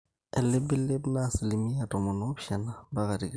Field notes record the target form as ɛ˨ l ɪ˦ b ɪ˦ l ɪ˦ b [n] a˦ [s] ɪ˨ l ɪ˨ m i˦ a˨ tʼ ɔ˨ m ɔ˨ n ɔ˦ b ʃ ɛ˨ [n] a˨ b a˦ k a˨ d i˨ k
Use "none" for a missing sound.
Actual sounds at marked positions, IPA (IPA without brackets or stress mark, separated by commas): n, s, n